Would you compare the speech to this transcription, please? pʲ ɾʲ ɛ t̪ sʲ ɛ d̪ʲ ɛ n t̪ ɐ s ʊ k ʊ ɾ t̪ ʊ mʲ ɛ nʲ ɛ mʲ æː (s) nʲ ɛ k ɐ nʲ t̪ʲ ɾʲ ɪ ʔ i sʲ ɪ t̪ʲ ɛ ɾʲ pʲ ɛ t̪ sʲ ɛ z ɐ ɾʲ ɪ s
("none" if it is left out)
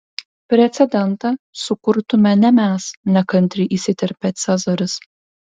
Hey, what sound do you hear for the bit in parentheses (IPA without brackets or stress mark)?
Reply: s